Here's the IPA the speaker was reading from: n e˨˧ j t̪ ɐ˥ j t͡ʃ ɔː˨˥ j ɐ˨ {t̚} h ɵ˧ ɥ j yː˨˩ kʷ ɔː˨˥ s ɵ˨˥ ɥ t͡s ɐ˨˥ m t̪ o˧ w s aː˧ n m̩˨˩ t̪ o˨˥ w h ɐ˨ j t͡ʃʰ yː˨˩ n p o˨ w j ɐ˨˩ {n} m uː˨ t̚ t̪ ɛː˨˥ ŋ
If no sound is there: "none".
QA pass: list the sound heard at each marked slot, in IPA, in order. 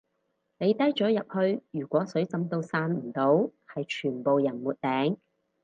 p̚, n

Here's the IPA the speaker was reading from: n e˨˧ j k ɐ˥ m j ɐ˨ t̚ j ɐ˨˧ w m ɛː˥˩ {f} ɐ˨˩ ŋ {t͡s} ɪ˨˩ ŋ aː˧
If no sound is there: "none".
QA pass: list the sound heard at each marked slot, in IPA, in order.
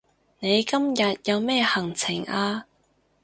h, t͡sʰ

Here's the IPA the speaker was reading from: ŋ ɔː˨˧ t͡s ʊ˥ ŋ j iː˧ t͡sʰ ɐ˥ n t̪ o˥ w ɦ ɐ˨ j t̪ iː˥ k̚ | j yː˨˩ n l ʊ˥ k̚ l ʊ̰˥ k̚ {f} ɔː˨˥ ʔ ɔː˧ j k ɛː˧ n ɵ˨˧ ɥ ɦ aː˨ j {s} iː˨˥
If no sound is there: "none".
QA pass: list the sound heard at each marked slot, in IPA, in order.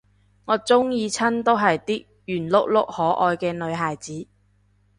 h, t͡s

